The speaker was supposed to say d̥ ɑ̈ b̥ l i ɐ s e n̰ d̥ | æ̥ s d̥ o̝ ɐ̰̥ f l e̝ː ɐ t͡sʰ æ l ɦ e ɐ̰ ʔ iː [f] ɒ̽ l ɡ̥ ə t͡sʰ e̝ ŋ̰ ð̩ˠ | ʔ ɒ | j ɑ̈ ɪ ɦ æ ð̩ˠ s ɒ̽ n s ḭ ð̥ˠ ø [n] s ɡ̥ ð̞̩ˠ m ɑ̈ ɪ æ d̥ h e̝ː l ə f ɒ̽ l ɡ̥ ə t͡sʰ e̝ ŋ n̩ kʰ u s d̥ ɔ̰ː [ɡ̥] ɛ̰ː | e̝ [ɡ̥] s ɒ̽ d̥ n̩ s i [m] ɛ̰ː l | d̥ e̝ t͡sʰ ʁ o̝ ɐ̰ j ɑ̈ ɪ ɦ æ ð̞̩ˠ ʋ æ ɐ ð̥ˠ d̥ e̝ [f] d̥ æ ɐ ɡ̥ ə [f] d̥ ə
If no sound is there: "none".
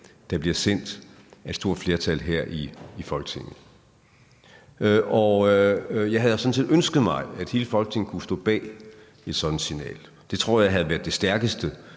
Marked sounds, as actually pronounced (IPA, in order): f, n, b̥, d̥, n, s, s

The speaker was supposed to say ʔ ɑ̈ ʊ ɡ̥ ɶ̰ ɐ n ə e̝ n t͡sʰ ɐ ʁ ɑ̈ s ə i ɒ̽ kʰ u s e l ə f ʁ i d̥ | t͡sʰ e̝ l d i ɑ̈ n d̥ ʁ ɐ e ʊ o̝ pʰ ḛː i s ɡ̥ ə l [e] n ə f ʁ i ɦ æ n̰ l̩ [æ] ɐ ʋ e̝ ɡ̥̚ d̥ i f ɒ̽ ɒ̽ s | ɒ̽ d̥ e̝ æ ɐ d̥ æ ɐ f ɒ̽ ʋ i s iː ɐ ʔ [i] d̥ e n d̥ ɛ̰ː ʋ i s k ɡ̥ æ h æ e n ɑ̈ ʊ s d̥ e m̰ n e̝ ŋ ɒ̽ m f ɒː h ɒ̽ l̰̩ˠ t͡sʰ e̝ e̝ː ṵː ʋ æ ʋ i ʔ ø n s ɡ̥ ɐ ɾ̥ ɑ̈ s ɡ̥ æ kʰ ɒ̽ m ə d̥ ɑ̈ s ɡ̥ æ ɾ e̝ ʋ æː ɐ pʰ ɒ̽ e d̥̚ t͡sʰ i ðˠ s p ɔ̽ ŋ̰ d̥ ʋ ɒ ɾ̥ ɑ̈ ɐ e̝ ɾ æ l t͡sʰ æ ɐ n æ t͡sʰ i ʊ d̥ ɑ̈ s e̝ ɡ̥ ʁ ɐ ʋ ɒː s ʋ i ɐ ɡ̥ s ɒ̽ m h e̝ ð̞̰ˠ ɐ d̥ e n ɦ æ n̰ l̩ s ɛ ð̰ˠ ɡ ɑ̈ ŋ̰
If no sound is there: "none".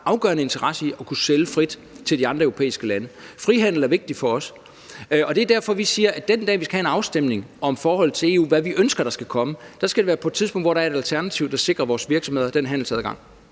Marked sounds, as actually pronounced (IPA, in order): æ, æ, æ

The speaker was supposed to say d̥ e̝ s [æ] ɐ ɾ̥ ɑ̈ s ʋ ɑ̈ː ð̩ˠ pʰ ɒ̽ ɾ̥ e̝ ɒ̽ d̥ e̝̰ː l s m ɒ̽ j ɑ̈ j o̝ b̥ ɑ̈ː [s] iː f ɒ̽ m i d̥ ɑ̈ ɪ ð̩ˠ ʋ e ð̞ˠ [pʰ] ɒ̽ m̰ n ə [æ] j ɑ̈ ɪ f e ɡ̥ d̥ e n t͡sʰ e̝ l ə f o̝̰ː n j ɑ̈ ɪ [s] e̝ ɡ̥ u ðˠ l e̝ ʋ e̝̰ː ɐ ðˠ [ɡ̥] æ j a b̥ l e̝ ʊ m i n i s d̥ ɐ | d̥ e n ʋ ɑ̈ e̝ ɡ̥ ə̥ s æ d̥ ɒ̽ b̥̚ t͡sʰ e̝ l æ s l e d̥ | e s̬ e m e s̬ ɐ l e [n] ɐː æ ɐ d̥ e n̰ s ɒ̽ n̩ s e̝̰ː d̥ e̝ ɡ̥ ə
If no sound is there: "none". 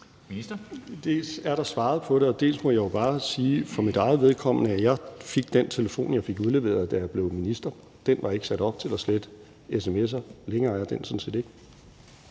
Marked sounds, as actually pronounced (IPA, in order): æ, s, kʰ, æ, f, d̥, ŋ

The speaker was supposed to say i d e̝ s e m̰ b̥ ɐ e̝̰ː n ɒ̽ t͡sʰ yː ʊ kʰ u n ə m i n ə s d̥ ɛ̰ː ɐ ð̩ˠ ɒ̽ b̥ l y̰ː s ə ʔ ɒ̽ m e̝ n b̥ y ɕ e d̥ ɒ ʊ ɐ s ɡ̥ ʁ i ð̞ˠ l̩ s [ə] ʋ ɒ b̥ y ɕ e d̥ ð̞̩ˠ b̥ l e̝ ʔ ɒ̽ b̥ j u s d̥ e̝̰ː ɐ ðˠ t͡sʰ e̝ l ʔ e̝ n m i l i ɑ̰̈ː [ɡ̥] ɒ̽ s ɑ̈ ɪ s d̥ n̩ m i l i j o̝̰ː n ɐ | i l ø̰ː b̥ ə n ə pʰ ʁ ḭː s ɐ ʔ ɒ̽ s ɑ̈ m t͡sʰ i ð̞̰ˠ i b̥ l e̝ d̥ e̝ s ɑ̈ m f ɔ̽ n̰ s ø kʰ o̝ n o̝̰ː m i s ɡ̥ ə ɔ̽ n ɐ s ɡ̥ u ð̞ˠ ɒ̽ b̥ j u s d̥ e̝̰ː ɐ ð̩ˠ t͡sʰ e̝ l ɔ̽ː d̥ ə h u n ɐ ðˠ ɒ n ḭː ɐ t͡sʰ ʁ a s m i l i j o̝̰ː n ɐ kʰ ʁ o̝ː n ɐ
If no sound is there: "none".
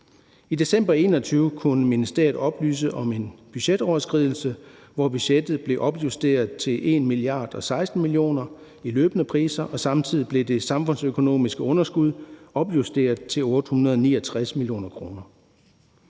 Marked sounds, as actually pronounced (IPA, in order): ə, d̥

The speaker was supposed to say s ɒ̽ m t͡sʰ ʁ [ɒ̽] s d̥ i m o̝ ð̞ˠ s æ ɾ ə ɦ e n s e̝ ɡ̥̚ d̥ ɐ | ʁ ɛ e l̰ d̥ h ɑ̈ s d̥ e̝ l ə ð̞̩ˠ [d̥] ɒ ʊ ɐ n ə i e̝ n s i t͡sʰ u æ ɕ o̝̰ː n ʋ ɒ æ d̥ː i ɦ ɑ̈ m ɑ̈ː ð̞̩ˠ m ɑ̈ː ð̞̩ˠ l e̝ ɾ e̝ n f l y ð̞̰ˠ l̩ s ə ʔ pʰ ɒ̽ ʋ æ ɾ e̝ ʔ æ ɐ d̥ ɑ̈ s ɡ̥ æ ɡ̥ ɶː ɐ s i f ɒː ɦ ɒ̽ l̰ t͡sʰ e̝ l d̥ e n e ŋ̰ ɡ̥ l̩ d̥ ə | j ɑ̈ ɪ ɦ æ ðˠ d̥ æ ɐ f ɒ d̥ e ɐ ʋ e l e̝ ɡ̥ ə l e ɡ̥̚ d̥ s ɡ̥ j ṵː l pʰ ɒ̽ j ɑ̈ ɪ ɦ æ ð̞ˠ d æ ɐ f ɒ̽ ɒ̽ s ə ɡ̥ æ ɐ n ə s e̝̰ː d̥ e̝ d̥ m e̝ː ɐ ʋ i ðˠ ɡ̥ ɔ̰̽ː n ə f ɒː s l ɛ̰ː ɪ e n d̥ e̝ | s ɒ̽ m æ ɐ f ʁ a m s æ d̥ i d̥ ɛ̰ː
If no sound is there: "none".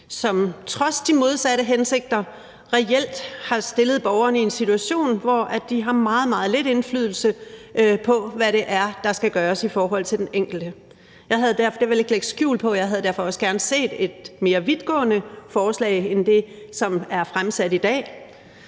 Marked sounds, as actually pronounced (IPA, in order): ɒ̽, b̥

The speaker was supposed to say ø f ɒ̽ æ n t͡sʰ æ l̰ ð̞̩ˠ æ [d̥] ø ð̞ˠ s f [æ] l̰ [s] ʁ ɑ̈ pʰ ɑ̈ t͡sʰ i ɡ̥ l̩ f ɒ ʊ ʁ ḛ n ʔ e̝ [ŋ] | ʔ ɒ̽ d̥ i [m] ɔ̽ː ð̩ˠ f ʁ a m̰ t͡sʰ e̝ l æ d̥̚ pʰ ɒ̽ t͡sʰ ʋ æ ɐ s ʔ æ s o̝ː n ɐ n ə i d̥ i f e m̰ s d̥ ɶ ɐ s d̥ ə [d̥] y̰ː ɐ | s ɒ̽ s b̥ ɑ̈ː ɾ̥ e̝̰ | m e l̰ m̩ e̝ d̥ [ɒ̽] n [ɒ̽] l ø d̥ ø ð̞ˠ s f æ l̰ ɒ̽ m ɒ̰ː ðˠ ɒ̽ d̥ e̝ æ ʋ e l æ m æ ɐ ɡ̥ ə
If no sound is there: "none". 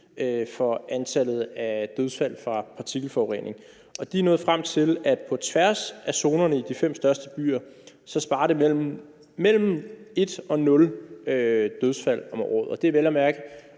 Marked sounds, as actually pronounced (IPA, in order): d̥, æ, f, ŋ, n, b̥, ɒ̽, ɔ̽

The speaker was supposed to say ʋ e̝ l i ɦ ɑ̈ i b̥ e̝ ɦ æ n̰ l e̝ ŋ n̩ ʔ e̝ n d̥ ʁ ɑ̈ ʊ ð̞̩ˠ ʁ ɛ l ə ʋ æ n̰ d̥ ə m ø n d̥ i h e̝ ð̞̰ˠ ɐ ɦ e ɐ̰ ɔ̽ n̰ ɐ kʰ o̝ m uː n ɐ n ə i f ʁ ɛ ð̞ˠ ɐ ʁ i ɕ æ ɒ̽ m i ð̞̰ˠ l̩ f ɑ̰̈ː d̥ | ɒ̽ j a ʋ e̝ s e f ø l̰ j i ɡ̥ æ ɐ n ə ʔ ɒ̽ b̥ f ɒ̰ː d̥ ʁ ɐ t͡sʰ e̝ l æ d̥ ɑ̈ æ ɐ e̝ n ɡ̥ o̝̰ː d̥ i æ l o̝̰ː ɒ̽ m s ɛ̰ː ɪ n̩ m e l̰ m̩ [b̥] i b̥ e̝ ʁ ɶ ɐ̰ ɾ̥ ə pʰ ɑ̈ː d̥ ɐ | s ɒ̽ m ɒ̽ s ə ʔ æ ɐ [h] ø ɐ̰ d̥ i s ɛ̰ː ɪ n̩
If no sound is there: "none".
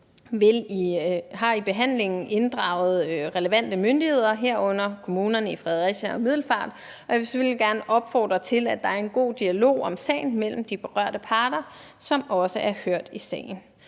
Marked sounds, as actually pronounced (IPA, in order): d̥, h

